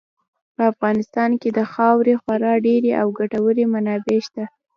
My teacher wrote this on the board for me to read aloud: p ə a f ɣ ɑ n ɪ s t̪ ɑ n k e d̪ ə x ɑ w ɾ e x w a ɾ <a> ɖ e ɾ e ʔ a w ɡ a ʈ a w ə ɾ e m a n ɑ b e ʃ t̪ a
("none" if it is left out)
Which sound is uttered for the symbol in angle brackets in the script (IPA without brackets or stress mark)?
ɑ